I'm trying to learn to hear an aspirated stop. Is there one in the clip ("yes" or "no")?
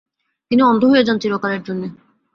no